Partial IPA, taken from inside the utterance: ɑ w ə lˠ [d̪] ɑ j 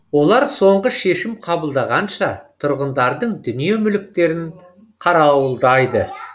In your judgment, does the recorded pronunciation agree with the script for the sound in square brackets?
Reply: yes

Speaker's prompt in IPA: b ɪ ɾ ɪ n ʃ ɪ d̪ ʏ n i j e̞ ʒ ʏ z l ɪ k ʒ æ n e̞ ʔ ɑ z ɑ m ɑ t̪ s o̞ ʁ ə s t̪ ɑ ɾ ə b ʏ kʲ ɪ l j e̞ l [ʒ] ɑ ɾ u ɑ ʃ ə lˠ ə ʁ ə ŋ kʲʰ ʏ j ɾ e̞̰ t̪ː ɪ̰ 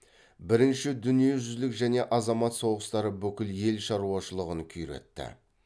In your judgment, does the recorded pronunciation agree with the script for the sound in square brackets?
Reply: no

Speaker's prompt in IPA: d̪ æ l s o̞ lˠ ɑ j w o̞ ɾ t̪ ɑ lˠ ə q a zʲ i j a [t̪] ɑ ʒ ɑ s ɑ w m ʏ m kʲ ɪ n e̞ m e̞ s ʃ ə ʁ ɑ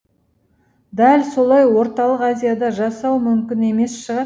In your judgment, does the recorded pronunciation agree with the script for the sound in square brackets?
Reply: no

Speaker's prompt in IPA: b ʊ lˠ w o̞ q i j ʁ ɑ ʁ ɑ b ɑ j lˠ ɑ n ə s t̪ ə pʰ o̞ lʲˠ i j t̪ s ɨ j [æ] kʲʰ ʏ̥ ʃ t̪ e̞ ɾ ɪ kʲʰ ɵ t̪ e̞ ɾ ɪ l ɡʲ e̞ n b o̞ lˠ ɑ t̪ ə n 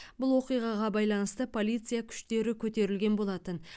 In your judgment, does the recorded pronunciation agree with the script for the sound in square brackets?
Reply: no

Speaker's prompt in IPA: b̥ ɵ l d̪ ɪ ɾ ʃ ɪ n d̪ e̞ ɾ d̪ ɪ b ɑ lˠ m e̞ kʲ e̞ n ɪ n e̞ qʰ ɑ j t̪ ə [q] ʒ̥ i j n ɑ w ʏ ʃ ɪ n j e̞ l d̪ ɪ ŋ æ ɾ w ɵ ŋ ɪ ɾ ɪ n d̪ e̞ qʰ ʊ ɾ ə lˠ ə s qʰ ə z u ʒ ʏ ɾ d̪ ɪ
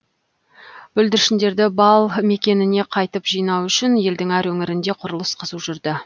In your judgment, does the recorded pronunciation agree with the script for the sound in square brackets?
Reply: no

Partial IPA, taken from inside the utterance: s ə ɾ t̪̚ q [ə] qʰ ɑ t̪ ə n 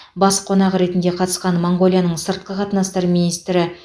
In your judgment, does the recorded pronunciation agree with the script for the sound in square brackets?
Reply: yes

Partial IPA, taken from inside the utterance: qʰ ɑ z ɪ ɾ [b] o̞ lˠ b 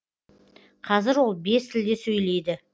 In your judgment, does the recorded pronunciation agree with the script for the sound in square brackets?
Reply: no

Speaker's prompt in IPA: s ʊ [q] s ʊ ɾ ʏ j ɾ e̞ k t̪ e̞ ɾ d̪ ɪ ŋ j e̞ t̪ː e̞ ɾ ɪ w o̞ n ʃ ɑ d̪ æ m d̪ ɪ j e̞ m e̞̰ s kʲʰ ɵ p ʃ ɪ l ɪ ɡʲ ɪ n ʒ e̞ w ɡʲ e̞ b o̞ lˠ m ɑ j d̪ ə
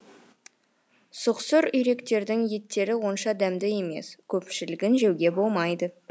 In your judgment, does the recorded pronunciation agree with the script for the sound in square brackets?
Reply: yes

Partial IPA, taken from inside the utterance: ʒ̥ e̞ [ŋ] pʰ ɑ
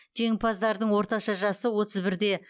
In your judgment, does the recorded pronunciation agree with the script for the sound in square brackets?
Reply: yes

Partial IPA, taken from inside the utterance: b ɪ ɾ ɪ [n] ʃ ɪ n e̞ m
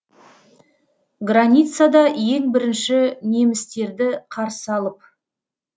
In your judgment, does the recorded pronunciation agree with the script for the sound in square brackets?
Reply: yes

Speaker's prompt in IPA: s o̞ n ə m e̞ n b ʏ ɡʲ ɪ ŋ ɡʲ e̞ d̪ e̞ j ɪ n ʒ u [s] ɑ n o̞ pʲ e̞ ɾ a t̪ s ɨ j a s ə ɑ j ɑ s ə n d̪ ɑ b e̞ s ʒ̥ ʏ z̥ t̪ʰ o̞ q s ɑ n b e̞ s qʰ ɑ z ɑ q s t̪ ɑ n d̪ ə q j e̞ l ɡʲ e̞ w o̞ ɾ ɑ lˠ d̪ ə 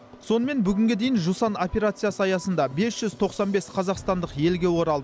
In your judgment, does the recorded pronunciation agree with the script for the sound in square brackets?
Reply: yes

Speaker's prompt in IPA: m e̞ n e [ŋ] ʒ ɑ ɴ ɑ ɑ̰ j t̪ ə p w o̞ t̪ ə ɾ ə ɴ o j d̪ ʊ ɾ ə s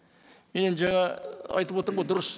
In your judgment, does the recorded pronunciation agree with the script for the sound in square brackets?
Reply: no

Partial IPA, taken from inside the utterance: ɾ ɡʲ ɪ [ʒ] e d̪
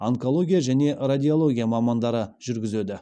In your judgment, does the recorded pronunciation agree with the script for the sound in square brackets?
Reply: no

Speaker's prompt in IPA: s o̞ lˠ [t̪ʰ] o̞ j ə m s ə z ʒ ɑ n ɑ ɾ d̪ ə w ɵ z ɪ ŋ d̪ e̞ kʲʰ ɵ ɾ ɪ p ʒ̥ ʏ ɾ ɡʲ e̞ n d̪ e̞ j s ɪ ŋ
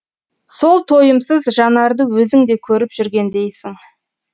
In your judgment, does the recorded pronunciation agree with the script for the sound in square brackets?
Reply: yes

